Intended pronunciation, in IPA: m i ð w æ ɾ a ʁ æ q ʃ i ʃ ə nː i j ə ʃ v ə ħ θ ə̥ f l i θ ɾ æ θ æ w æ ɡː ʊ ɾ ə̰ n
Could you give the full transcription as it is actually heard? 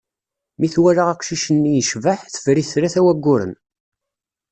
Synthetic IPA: m i θ w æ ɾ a ʁ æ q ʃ i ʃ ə nː i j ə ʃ v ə ħ θ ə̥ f ɾ i θ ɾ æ θ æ w æ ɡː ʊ ɾ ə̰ n